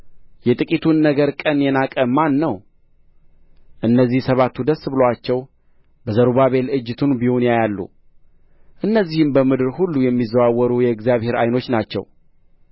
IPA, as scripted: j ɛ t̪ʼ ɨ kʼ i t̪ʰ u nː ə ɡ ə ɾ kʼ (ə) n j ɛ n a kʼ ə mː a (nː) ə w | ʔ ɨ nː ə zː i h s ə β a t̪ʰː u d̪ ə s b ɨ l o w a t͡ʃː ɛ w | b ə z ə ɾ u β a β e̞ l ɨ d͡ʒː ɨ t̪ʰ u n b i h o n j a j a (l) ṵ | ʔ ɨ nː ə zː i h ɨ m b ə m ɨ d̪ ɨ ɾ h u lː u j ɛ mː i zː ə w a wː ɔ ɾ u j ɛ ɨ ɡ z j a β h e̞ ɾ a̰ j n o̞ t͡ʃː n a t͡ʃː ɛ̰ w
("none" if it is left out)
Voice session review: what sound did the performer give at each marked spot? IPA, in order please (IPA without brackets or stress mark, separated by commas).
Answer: ə, nː, lː